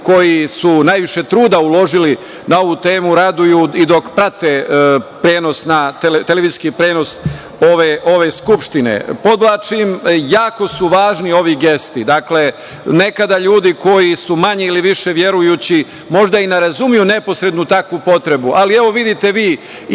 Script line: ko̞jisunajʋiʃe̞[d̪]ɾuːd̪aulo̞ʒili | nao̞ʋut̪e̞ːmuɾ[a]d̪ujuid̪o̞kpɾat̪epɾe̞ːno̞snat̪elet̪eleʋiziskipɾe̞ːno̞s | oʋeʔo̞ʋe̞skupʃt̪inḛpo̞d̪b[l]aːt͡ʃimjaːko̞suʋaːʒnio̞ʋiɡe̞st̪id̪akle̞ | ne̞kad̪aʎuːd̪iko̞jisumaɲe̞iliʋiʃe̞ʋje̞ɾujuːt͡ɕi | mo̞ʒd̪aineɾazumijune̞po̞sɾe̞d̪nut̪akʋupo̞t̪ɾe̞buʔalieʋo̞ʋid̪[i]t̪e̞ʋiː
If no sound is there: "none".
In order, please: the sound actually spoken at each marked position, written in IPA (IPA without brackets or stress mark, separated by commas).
t̪, a, l, i